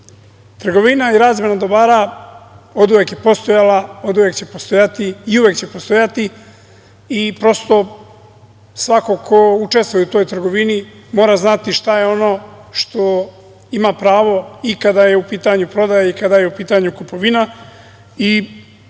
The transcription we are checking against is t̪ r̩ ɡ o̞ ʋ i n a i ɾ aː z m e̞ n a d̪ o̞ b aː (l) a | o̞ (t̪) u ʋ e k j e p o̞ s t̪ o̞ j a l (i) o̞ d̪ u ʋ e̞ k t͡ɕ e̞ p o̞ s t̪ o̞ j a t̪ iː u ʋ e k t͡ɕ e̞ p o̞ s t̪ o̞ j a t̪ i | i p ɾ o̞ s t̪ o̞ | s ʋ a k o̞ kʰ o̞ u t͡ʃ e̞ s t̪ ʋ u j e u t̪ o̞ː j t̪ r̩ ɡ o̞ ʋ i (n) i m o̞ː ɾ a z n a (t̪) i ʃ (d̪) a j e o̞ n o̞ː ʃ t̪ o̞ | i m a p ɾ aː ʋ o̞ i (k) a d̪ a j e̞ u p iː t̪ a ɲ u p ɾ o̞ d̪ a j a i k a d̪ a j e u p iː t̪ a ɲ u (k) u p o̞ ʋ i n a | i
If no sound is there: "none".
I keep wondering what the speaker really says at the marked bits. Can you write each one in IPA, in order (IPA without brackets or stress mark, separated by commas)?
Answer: ɾ, d̪, a, n, t̪, t̪, k, k